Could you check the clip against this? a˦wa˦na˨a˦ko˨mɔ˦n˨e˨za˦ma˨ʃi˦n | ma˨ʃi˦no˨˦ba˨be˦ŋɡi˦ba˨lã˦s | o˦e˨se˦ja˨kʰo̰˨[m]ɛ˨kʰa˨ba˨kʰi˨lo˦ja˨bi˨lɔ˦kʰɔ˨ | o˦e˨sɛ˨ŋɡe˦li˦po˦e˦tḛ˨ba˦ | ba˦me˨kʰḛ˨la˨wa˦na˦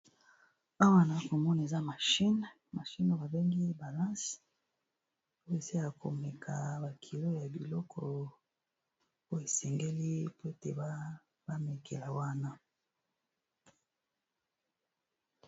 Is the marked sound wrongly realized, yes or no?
no